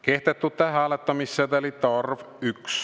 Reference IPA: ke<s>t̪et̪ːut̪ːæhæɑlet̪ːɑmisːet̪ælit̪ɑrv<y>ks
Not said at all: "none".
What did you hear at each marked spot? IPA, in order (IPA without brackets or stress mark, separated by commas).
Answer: h, y